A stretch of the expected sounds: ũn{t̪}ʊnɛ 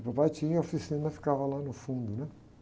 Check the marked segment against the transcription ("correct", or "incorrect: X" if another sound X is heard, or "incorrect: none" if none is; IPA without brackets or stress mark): incorrect: d̪